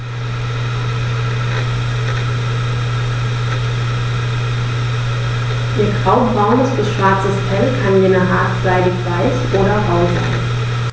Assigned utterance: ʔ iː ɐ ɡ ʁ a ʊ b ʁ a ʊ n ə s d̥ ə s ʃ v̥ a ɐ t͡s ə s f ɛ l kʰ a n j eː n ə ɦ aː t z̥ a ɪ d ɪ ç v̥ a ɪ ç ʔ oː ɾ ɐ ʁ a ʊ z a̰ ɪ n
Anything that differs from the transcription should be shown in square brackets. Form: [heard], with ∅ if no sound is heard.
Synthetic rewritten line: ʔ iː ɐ ɡ ʁ a ʊ b ʁ a ʊ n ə s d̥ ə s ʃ v̥ a ɐ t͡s ə s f ɛ l kʰ a n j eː n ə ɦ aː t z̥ a ɪ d ɪ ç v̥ a ɪ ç ʔ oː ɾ ɐ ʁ a ʊ z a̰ ɪ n